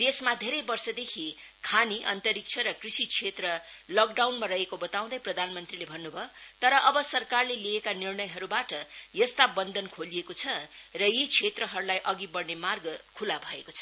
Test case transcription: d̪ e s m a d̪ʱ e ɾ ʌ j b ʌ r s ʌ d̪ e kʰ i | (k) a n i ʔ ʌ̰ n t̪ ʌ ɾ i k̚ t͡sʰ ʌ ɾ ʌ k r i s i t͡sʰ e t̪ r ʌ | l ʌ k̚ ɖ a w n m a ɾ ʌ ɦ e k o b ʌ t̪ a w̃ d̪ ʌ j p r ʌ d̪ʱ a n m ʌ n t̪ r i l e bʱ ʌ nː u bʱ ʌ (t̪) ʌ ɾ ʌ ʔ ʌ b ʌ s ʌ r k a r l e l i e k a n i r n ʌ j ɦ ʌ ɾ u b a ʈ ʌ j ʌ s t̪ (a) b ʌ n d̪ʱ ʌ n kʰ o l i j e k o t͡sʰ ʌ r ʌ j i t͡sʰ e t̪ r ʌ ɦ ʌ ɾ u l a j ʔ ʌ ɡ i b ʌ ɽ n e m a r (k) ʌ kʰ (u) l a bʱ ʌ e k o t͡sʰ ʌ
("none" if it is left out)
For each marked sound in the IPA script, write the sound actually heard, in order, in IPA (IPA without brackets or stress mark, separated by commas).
kʰ, t̪, a, ɡ, u